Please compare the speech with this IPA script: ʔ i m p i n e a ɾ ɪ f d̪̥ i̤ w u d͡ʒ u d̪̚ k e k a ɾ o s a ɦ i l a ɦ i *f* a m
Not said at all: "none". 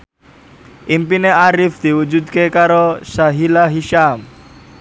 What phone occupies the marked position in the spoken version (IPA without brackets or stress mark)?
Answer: ʃ